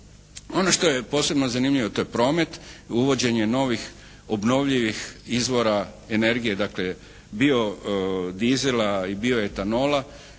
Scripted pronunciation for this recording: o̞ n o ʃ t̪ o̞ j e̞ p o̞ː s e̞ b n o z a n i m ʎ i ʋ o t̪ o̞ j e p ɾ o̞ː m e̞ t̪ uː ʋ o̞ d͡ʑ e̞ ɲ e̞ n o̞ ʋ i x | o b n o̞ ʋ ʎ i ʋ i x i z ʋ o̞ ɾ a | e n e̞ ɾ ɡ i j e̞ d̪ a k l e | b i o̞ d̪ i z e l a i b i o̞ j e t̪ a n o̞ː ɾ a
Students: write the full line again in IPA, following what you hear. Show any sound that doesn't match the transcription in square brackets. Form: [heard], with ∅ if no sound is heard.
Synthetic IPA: o̞ n o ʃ t̪ o̞ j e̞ p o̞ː s e̞ b n o z a n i m ʎ i ʋ o t̪ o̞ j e p ɾ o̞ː m e̞ t̪ [u] ʋ o̞ d͡ʑ e̞ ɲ e̞ n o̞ ʋ i x | o b n o̞ ʋ ʎ i ʋ i x i z ʋ o̞ ɾ a | e n e̞ ɾ ɡ i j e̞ d̪ a k l e | b i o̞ d̪ i z e l a i b i o̞ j e t̪ a n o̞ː [l] a